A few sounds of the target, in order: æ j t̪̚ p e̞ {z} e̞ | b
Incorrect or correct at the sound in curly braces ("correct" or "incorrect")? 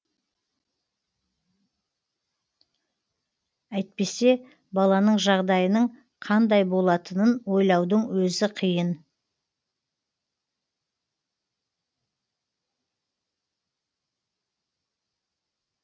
incorrect